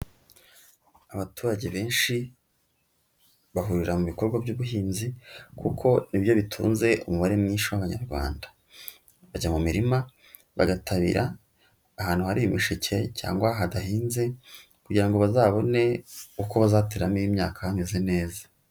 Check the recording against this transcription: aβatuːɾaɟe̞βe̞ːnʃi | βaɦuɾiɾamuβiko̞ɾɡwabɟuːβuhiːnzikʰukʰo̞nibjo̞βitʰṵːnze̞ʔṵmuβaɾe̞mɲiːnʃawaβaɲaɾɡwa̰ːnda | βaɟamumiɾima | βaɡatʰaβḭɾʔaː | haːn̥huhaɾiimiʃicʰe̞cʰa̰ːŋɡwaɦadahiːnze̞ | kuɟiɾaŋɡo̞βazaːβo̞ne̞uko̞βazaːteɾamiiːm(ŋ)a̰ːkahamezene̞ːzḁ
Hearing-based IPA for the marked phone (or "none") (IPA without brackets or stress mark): ɲ